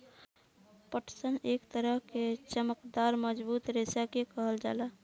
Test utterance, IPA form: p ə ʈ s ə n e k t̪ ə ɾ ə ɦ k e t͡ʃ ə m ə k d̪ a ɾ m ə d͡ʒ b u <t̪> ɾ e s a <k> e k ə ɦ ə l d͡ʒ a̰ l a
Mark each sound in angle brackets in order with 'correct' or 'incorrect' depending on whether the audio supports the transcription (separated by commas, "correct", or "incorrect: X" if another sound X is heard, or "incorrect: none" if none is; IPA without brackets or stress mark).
correct, correct